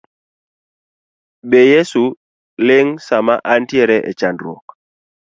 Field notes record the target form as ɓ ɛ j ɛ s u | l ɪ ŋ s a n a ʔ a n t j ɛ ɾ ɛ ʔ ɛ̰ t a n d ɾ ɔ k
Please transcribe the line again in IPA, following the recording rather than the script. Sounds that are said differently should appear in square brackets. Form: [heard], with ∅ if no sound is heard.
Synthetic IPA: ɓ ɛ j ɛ s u | l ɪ ŋ s a [m] a ʔ a n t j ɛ ɾ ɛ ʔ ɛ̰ [t͡ʃ] a n d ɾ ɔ k